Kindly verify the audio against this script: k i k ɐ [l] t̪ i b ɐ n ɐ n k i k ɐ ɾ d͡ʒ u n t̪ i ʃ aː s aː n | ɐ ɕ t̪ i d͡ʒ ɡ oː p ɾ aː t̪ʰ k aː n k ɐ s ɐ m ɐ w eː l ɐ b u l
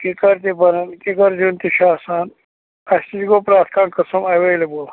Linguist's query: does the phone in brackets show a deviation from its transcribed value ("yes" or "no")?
yes